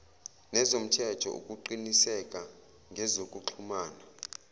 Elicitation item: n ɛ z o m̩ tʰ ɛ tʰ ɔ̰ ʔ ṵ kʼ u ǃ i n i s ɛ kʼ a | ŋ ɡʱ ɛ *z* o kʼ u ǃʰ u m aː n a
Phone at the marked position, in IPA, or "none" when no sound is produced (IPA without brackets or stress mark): z